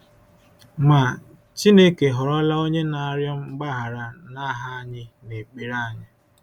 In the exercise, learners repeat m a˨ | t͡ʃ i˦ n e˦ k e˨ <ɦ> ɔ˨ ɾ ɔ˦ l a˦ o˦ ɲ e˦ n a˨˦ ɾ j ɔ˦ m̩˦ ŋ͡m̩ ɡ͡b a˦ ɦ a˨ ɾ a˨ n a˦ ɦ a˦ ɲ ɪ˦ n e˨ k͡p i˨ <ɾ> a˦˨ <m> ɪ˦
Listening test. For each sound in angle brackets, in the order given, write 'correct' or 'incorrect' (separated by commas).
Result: correct, correct, incorrect